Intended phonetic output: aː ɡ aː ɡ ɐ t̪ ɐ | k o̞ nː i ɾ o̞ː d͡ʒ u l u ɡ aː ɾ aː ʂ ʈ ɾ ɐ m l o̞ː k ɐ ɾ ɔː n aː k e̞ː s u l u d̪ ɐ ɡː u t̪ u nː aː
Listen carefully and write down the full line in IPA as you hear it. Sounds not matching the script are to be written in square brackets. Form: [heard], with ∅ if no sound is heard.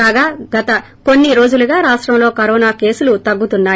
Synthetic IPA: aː ɡ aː ɡ ɐ t̪ ɐ | k o̞ nː i ɾ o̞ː d͡ʒ u l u ɡ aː ɾ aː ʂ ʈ ɾ ɐ m l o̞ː k ɐ ɾ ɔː n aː k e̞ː s u l u [t̪] ɐ ɡː u t̪ u nː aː